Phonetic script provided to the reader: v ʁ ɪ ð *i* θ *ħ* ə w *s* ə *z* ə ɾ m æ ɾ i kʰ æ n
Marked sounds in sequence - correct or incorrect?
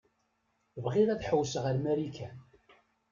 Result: incorrect: æ, correct, correct, incorrect: ʁ

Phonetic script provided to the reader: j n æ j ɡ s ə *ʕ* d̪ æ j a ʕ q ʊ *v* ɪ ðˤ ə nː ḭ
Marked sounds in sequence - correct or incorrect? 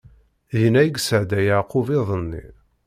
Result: correct, correct

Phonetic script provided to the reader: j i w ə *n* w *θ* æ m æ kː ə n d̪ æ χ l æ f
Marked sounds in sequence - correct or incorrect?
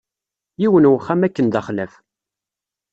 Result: correct, incorrect: χ

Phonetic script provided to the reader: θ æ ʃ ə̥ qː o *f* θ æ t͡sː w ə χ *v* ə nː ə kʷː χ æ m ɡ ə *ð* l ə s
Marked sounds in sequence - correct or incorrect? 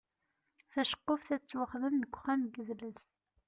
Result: correct, incorrect: ð, correct

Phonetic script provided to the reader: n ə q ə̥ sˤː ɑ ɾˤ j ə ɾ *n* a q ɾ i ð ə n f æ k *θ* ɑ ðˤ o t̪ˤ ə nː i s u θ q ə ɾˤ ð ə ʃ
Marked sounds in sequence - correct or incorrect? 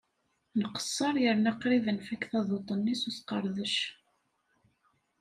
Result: correct, correct

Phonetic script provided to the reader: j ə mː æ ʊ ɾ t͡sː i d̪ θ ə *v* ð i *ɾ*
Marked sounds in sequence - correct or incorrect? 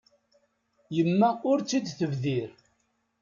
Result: correct, correct

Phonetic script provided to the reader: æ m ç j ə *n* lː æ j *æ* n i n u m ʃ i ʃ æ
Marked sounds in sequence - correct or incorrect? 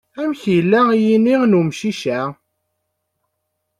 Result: incorrect: none, incorrect: i

